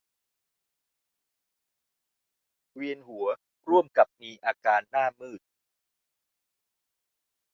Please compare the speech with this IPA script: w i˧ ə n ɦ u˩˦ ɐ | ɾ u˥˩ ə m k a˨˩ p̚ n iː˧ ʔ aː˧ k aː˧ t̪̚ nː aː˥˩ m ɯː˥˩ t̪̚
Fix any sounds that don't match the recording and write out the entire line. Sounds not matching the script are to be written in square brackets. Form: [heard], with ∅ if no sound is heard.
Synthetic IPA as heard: w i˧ ə n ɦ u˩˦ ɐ | ɾ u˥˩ ə m k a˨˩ p̚ n iː˧ ʔ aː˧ k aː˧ [∅] nː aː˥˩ m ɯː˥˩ t̪̚

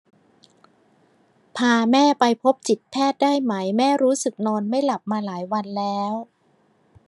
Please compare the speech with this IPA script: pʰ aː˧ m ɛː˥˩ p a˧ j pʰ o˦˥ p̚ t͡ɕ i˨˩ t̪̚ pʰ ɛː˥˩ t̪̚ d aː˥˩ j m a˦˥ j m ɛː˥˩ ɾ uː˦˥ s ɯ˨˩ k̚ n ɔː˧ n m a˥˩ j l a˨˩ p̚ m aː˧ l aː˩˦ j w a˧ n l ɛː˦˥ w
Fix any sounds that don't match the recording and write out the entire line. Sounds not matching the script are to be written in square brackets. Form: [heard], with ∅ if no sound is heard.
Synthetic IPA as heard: pʰ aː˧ m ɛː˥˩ p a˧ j pʰ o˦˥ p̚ t͡ɕ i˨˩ t̪̚ pʰ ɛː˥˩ t̪̚ d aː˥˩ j m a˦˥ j m ɛː˥˩ ɾ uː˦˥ s ɯ˨˩ k̚ n ɔː˧ n m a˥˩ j l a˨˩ p̚ m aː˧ l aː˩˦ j w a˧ n l ɛː˦˥ w

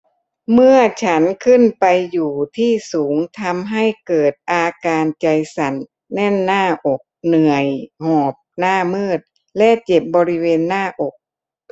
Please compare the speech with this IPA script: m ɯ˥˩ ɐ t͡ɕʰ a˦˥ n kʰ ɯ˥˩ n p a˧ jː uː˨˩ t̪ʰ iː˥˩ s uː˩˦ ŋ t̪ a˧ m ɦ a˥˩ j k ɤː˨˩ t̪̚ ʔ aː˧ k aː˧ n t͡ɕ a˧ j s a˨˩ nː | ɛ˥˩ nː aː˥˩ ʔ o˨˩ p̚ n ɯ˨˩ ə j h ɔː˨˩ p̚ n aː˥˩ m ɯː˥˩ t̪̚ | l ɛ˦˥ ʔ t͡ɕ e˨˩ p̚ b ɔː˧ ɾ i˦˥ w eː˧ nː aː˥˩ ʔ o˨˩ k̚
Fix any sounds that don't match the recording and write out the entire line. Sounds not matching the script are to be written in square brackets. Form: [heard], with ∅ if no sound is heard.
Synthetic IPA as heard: m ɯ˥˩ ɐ t͡ɕʰ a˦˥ n kʰ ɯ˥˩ n p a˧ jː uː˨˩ t̪ʰ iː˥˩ s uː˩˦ ŋ [t̪ʰ] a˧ m ɦ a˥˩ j k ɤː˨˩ t̪̚ ʔ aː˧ k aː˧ n t͡ɕ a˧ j s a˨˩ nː | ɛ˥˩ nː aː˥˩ ʔ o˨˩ [k̚] n ɯ˨˩ ə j h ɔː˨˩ p̚ n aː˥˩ m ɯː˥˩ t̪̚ | l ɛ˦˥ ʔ t͡ɕ e˨˩ p̚ b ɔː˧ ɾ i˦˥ w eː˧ nː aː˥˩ ʔ o˨˩ k̚

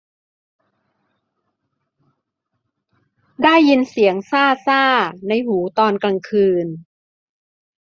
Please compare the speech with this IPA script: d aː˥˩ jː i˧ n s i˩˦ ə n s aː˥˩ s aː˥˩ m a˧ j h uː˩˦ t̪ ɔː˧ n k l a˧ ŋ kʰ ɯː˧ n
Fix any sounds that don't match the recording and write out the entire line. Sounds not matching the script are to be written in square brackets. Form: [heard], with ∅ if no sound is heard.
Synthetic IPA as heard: d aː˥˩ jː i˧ n s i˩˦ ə [ŋ] s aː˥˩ s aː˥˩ [n] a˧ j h uː˩˦ t̪ ɔː˧ n k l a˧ ŋ kʰ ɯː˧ n

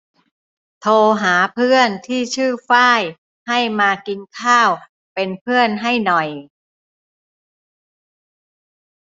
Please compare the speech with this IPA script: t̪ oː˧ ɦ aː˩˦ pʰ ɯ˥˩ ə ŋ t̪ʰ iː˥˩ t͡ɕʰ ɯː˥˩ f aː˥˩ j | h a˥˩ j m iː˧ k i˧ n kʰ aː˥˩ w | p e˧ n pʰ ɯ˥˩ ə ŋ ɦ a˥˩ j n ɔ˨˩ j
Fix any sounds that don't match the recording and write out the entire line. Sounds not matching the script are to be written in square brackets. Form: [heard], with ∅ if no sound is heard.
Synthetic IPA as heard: [t̪ʰ] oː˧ ɦ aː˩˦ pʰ ɯ˥˩ ə [n] t̪ʰ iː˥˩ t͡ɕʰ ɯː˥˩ f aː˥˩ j | h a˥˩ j m [aː˧] k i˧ n kʰ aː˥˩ w | p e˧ n pʰ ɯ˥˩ ə [n] ɦ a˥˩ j n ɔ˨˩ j

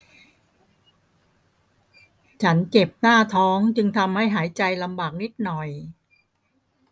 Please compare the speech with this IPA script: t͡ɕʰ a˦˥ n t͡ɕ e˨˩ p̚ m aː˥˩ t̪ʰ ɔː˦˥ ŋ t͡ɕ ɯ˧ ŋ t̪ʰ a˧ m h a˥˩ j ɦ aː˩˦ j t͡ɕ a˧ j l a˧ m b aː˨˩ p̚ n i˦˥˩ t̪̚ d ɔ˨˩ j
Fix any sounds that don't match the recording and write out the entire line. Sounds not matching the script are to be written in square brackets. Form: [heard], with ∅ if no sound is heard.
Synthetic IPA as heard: t͡ɕʰ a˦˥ n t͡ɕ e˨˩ p̚ [n] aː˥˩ t̪ʰ ɔː˦˥ ŋ t͡ɕ ɯ˧ ŋ t̪ʰ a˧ m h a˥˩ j ɦ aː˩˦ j t͡ɕ a˧ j l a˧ m b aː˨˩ [k̚] n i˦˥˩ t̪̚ [n] ɔ˨˩ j

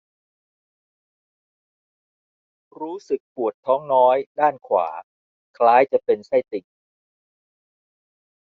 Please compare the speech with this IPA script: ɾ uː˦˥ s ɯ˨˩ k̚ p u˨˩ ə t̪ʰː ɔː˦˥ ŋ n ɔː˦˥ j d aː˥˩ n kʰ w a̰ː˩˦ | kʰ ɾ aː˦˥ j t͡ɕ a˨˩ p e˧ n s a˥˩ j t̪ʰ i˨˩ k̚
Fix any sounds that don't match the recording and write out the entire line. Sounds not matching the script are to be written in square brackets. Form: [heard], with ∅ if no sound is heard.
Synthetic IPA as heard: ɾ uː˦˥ s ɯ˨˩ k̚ p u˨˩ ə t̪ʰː ɔː˦˥ ŋ n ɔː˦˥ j d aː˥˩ n kʰ w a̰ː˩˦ | kʰ [l] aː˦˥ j t͡ɕ a˨˩ p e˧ n s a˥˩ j [t̪] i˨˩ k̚

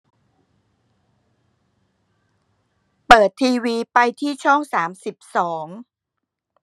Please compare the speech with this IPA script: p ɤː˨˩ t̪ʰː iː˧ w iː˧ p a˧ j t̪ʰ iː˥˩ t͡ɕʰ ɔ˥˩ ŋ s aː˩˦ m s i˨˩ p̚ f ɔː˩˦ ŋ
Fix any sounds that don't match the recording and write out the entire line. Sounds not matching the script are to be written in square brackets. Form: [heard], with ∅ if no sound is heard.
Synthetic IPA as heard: p ɤː˨˩ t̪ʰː iː˧ w iː˧ p a˧ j t̪ʰ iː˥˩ t͡ɕʰ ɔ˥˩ ŋ s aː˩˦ m s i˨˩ p̚ [s] ɔː˩˦ ŋ

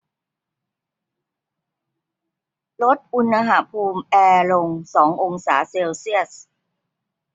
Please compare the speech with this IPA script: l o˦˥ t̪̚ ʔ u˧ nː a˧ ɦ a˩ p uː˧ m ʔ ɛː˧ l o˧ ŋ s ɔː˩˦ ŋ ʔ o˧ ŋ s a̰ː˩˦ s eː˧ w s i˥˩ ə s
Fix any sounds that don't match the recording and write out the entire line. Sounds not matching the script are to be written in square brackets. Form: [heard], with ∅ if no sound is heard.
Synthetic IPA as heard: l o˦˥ t̪̚ ʔ u˧ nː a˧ ɦ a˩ [pʰ] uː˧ m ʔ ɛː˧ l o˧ ŋ s ɔː˩˦ ŋ ʔ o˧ ŋ s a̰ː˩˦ s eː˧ w s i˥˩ ə s

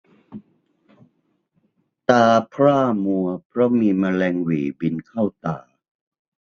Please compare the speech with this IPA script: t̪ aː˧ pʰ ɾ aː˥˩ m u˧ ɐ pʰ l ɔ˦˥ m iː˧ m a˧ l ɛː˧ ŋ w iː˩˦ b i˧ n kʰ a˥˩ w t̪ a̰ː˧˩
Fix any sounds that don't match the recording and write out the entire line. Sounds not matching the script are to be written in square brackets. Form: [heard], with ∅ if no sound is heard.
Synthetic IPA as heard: t̪ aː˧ pʰ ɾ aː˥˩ m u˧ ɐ pʰ [ɾ] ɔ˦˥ m iː˧ m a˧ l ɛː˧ ŋ w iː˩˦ b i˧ n kʰ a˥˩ w t̪ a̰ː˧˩

